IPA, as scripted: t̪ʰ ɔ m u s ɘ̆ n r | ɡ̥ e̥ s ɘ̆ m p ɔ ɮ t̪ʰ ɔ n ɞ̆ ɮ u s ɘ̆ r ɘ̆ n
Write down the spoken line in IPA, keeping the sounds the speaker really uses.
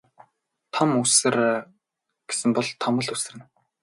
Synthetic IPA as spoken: t̪ʰ ɔ m u s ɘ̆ r | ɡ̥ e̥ s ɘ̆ m p ɔ ɮ t̪ʰ ɔ m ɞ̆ ɮ u s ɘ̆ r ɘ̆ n